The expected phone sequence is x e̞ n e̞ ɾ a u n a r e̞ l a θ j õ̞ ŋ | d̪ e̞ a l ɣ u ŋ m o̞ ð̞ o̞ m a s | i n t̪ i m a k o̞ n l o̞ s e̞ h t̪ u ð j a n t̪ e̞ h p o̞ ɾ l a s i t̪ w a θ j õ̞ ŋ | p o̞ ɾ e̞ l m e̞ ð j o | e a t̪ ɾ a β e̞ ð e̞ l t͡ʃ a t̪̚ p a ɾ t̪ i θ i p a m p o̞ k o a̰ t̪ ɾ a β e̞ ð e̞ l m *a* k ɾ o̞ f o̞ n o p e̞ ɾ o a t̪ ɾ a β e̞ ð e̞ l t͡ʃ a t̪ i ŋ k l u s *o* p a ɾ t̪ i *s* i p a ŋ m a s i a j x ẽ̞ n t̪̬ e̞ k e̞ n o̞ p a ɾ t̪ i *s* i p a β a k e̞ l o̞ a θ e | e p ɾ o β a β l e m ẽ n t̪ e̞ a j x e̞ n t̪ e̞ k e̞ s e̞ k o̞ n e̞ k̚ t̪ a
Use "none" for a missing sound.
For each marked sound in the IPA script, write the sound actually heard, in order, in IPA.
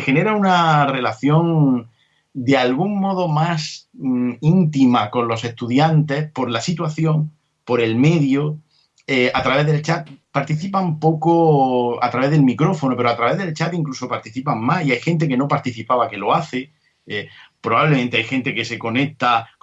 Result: i, o, θ, θ

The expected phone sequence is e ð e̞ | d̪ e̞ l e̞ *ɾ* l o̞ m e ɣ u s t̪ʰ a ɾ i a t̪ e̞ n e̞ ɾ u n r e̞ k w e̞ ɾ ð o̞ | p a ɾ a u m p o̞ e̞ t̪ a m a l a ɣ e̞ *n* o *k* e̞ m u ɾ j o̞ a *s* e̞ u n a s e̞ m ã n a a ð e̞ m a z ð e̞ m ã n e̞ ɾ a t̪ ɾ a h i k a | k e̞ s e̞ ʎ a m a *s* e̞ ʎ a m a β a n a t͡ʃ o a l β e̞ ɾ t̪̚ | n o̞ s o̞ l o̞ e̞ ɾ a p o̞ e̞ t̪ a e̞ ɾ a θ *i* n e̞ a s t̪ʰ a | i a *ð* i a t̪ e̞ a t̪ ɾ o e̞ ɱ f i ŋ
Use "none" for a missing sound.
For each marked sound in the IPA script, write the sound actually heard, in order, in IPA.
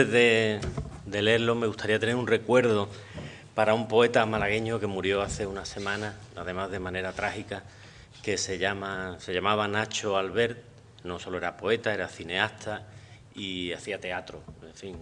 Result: ɾ, ɲ, k, θ, s, i, θ

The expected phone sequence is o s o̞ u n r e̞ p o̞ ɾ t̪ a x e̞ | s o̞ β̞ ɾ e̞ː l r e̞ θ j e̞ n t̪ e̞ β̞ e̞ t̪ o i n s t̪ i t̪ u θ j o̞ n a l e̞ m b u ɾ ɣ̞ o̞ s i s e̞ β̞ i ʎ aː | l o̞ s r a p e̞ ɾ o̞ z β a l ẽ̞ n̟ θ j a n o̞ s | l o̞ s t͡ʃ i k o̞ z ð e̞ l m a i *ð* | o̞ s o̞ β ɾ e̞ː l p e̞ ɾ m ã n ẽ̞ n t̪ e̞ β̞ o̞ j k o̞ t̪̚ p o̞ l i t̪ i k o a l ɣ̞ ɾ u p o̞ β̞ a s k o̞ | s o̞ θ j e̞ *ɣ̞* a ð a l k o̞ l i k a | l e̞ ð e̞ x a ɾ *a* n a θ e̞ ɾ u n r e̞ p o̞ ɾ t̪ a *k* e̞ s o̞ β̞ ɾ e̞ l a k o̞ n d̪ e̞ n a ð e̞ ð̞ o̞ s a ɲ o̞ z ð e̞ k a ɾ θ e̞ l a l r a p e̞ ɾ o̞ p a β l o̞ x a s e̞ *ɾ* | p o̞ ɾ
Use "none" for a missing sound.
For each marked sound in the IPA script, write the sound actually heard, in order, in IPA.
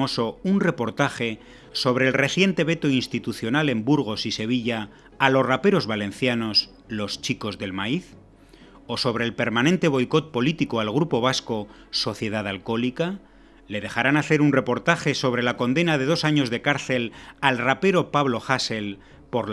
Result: θ, ð̞, a, x, l

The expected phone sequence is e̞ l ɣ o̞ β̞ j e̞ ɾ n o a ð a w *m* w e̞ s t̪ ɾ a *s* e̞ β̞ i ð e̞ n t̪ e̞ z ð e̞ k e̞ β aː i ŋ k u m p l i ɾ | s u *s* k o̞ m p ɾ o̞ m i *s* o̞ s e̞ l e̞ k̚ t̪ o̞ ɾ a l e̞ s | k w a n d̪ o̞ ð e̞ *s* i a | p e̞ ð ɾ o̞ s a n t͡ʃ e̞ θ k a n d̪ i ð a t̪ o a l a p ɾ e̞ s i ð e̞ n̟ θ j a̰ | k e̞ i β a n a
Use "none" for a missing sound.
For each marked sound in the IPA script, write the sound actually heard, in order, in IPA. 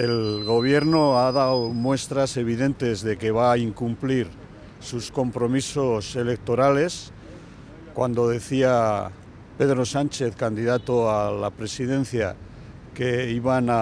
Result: m, s, s, s, θ

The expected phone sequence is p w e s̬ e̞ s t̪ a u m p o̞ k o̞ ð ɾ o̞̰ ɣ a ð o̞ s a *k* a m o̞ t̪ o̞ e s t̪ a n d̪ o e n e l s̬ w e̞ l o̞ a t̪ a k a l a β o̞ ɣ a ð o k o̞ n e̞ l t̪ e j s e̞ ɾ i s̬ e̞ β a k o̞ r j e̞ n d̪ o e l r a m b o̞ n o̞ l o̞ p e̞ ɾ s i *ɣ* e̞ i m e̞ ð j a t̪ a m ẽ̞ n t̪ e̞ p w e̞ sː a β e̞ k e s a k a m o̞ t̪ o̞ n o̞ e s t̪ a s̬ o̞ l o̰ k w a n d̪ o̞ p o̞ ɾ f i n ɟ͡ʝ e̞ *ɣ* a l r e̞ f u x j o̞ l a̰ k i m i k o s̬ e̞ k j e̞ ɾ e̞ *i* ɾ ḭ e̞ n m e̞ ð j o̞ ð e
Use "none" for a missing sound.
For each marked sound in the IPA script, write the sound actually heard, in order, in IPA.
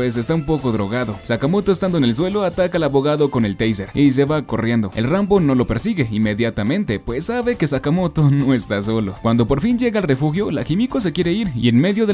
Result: k, ɣ, ɣ, i

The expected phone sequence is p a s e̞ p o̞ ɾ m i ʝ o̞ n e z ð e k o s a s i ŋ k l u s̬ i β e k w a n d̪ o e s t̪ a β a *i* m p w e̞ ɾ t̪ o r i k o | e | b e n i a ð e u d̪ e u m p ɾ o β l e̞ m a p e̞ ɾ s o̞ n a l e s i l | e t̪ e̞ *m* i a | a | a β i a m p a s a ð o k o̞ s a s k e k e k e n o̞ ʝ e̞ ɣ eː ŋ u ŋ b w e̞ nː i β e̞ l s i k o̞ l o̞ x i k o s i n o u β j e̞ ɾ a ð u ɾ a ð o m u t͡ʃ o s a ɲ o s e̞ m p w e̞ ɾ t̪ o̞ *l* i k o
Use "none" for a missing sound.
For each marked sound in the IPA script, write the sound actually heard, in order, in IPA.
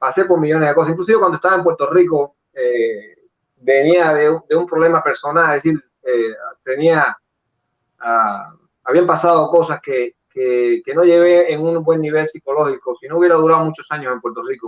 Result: e, n, r

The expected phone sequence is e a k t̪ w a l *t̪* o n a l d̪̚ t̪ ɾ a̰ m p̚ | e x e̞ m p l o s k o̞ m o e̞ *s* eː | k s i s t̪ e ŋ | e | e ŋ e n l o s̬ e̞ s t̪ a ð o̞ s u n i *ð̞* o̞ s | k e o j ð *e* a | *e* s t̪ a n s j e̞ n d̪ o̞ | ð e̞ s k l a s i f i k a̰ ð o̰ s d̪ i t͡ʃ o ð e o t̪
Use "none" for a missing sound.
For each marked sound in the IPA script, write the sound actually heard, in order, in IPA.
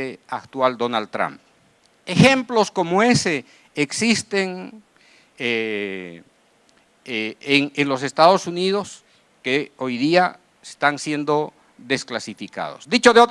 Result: d̪, s, ð̞, i, e

